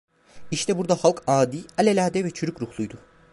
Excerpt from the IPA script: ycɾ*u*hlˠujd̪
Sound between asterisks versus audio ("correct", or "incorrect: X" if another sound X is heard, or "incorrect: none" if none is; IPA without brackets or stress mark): correct